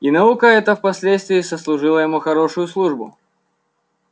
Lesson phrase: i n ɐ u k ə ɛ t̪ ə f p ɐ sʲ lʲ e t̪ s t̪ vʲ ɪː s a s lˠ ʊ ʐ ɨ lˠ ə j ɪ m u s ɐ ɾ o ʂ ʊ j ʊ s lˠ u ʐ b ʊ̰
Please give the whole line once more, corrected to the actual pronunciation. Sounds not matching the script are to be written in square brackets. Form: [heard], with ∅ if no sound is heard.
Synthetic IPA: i n ɐ u k ə ɛ t̪ ə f p ɐ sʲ lʲ e t̪ s t̪ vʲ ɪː s [ə] s lˠ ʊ ʐ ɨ lˠ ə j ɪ m u [x] ɐ ɾ o ʂ ʊ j ʊ s lˠ u ʐ b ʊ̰